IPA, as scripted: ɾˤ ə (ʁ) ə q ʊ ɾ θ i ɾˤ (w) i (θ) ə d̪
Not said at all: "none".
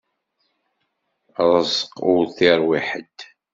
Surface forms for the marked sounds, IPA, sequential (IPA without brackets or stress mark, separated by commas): z, w, ħ